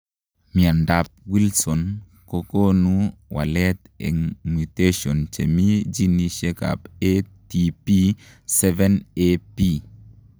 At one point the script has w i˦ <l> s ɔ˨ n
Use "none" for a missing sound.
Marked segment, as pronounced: l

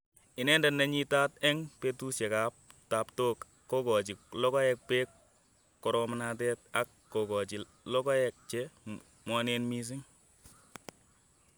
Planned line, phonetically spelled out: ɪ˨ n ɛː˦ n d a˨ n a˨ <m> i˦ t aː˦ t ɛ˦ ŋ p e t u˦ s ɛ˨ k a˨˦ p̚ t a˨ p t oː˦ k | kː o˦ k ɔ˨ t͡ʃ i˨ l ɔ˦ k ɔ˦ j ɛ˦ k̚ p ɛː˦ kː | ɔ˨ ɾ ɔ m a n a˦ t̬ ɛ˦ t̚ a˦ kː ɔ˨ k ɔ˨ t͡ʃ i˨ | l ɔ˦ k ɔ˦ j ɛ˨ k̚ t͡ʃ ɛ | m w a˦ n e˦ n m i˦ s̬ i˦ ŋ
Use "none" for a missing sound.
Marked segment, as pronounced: ɲ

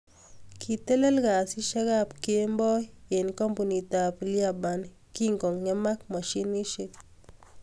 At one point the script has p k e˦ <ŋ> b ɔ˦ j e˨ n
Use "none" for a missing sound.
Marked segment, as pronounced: m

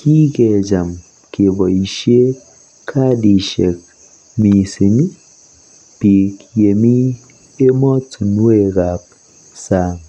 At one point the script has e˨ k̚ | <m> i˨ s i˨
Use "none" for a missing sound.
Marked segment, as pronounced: m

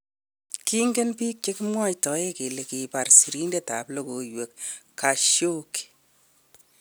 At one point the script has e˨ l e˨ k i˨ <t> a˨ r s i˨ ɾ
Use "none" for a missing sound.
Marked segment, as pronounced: p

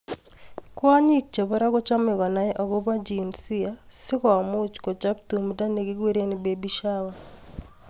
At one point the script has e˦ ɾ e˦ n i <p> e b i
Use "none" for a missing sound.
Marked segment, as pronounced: b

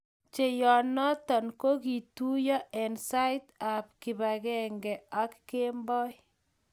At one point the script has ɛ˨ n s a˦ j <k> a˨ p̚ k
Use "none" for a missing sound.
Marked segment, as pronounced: t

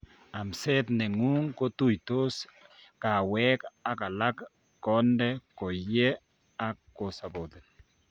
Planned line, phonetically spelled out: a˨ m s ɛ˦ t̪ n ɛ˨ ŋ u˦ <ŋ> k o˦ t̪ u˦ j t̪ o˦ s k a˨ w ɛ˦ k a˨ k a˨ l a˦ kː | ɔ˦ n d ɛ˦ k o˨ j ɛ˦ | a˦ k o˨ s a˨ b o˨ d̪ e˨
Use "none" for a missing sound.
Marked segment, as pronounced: ŋ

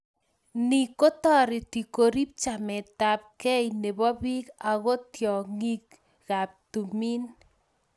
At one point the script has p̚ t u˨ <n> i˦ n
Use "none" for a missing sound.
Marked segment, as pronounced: m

